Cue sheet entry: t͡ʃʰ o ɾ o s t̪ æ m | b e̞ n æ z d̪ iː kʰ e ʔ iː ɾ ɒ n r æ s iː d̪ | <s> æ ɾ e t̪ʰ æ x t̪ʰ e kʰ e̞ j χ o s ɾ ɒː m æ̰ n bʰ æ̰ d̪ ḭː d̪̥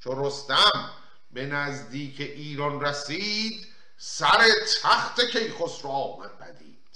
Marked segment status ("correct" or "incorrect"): correct